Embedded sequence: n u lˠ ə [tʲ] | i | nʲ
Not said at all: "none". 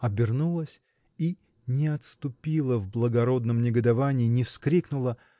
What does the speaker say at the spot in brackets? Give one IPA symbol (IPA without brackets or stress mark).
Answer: sʲ